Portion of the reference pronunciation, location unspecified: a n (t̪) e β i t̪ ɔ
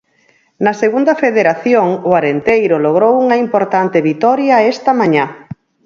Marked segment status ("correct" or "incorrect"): correct